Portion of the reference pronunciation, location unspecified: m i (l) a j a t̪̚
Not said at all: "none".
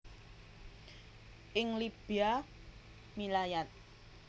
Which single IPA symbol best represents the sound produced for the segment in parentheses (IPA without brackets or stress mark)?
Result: l